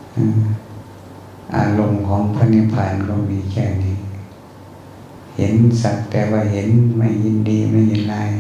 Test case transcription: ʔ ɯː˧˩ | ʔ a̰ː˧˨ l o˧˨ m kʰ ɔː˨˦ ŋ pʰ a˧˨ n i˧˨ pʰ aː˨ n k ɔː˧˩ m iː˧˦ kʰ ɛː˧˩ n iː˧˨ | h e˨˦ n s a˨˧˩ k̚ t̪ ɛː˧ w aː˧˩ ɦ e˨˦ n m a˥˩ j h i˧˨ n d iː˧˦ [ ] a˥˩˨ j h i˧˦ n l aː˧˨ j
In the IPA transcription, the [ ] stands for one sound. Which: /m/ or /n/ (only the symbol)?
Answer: m